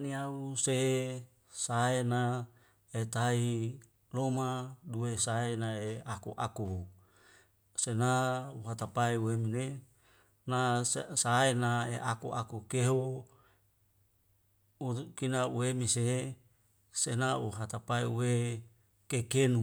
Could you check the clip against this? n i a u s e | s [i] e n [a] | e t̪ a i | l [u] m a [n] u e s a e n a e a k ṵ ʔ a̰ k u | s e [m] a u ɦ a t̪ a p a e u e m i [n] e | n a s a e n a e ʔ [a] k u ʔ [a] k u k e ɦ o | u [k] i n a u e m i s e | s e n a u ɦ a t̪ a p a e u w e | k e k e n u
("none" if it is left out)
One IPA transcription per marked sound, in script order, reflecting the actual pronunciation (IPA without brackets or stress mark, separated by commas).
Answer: a, a, o, d, n, n, a, a, k